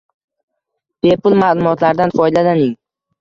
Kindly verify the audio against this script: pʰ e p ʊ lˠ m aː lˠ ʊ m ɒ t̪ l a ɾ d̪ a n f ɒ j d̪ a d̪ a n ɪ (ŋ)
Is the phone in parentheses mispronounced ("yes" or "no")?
no